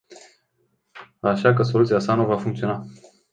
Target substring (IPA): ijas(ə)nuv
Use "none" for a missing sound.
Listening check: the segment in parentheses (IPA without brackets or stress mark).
a